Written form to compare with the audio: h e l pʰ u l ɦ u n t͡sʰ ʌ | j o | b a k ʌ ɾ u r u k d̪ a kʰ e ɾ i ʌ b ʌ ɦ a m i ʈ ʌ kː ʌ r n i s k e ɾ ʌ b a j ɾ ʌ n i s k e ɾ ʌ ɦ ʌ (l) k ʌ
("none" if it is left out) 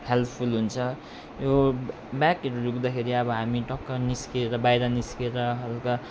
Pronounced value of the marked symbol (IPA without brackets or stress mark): l